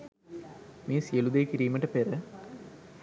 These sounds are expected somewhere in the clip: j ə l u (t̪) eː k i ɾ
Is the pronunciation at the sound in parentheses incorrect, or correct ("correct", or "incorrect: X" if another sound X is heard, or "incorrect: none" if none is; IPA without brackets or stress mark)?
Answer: incorrect: d̪